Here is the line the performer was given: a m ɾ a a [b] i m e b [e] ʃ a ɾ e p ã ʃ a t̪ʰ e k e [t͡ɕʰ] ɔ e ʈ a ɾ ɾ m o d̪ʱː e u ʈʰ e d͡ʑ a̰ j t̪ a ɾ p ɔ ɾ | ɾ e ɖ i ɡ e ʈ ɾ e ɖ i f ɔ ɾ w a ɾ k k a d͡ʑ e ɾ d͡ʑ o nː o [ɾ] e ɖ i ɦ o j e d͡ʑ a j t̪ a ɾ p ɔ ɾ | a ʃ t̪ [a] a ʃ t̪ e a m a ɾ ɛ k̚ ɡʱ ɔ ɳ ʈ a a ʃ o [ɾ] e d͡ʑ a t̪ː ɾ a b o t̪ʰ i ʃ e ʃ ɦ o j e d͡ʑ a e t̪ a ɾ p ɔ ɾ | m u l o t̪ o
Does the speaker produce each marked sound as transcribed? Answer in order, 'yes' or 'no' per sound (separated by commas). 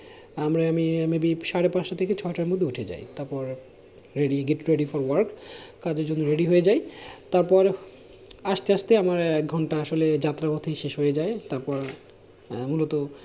no, no, yes, yes, no, no